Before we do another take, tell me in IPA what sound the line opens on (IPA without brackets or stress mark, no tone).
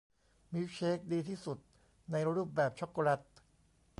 m